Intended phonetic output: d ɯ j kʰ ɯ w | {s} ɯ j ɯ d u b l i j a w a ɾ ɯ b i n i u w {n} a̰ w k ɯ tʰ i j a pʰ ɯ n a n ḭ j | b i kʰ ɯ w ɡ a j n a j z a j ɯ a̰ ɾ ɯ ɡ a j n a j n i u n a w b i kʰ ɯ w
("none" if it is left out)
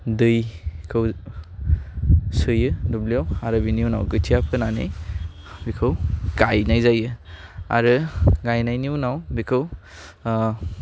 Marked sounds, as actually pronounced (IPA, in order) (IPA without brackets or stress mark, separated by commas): s, n